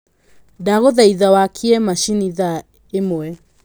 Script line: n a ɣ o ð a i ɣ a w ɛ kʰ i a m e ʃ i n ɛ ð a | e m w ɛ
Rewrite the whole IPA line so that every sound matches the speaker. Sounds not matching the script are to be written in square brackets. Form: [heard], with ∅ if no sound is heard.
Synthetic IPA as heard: [d] a ɣ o ð a i [ð] a w [a] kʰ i [ɛ] m [a] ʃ i n [i] ð a | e m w ɛ